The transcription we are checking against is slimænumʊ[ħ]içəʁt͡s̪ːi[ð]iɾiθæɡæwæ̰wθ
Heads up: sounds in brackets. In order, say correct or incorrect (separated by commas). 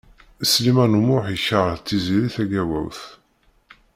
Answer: correct, incorrect